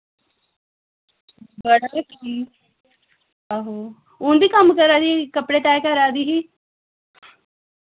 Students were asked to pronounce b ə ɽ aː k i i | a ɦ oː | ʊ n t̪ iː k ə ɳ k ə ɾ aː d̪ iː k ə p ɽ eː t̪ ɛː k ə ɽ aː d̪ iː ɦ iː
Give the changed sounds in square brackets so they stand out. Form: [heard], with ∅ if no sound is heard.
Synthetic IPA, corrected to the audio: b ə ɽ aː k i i | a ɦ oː | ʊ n [d̪] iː k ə [m] k ə ɾ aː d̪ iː k ə p ɽ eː t̪ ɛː k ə [ɾ] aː d̪ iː ɦ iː